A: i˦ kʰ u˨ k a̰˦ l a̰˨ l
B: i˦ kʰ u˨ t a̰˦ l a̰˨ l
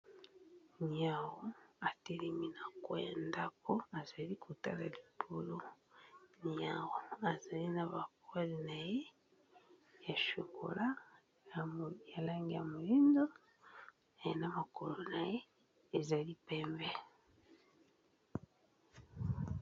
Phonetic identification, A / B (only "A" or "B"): B